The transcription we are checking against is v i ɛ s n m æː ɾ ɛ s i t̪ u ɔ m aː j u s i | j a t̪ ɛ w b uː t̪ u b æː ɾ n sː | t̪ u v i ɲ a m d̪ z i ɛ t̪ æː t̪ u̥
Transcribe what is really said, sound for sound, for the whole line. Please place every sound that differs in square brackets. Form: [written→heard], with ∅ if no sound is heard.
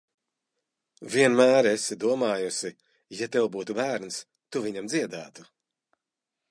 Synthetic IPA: v i ɛ [s→∅] n m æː ɾ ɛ s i [t̪→d̪] u ɔ m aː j u s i | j a t̪ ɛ w b uː t̪ u b æː ɾ n [sː→s] | t̪ u v i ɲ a m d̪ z i ɛ [t̪→d̪] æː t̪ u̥